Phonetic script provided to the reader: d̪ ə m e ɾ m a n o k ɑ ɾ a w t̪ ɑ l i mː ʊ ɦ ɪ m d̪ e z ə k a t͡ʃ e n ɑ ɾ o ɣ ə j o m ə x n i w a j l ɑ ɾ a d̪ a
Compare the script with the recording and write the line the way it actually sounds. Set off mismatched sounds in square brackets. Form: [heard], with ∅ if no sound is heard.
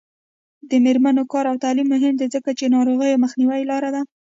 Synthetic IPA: d̪ ə m e ɾ m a n o k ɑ ɾ a w t̪ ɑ l i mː ʊ ɦ ɪ m d̪ e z ə k a t͡ʃ e n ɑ ɾ o ɣ ə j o m ə x n i w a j l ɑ ɾ a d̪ a